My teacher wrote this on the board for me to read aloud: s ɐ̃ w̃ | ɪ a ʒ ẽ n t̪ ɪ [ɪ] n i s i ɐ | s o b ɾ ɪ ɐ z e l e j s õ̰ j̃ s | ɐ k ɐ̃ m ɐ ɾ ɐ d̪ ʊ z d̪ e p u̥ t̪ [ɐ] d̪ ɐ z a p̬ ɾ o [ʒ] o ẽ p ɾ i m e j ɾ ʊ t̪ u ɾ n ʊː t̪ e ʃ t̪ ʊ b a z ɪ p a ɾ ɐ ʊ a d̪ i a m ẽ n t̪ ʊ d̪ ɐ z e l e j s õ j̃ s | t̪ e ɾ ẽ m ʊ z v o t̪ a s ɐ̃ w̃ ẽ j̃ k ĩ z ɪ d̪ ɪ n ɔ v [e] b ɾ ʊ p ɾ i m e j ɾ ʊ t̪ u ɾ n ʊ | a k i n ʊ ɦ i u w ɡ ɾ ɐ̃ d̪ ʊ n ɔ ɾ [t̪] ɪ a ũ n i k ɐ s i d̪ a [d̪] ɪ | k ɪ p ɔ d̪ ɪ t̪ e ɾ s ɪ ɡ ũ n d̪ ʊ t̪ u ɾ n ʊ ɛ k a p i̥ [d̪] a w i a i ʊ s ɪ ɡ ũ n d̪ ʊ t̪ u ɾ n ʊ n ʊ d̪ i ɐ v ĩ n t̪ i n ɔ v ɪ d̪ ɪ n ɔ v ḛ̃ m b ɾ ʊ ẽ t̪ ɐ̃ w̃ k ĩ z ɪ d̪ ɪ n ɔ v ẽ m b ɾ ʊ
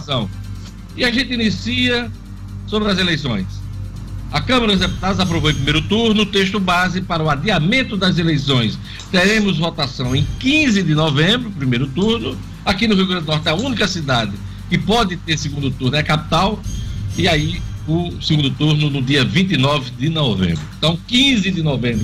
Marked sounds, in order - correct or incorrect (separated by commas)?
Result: incorrect, incorrect, incorrect, incorrect, correct, correct, incorrect